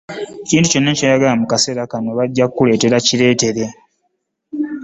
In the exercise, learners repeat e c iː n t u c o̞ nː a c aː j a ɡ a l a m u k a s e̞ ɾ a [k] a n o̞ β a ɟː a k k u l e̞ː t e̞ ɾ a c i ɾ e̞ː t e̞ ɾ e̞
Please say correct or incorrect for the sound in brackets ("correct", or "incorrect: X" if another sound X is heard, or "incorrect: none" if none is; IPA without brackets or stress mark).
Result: correct